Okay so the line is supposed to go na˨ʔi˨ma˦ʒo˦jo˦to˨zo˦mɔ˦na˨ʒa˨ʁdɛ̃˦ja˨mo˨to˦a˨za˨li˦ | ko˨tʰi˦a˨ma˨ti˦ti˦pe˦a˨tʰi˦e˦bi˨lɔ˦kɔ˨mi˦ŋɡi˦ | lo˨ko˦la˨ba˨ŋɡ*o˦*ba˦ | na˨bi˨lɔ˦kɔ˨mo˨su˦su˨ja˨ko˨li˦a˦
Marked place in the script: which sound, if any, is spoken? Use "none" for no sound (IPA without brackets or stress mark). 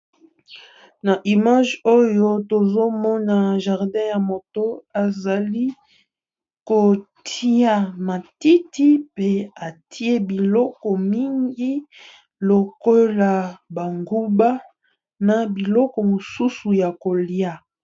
u˦